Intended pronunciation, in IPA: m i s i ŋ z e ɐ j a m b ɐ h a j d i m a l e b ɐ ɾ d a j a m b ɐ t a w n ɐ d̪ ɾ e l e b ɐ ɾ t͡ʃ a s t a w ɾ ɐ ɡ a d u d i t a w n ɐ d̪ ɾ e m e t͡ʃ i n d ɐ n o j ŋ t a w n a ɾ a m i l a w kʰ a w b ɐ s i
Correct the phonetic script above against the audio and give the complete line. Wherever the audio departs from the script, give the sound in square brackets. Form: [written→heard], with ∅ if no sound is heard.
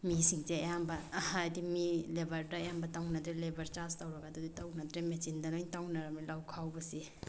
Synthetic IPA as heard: m i s i ŋ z e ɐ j a m b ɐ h a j d i m [a→i] l e b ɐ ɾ d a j a m b ɐ t a w n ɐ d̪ ɾ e l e b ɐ ɾ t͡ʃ a s t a w ɾ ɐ ɡ a d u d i t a w n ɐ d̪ ɾ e m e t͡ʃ i n d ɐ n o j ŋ t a w n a ɾ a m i l a w kʰ a w b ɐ s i